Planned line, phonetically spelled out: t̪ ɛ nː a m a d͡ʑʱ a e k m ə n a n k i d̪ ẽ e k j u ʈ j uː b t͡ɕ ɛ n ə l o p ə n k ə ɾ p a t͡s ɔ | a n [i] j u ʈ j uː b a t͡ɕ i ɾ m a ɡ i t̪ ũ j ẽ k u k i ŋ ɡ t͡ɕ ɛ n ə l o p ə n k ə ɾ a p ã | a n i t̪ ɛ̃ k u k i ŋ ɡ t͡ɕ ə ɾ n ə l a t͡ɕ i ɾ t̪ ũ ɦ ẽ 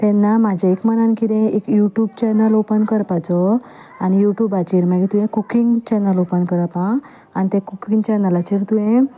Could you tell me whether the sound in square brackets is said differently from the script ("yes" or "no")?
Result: no